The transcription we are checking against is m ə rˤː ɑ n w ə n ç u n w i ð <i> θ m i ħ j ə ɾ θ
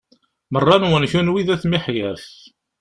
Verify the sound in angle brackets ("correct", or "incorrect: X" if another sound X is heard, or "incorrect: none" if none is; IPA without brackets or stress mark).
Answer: incorrect: æ